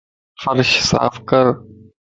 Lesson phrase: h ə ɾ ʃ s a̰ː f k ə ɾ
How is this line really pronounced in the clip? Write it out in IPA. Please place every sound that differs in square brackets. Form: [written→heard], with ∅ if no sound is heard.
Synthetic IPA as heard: [h→f] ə ɾ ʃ s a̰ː f k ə ɾ